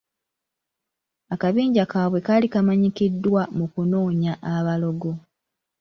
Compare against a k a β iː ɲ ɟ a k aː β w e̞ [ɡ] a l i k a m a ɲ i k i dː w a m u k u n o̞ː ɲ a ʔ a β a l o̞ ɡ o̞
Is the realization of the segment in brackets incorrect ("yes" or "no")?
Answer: yes